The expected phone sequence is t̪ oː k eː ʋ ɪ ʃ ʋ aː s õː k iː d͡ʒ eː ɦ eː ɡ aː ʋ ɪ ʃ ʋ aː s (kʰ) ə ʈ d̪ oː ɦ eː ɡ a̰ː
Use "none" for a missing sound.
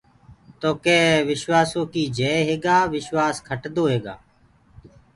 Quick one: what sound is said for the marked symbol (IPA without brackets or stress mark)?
kʰ